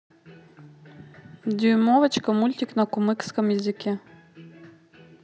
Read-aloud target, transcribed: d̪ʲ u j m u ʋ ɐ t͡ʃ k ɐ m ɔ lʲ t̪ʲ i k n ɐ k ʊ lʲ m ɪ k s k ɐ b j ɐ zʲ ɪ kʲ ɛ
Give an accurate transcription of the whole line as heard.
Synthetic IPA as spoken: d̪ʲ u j m ɔ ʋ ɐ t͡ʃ k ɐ m u lʲ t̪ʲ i k n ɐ k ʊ m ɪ k s k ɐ m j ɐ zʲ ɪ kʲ ɛ